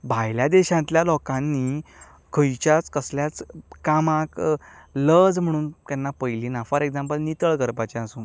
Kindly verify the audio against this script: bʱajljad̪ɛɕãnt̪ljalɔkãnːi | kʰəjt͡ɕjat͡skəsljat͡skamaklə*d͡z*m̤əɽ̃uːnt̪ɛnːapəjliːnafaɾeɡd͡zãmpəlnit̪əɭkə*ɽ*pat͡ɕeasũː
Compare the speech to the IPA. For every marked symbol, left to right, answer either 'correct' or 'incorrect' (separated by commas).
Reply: correct, incorrect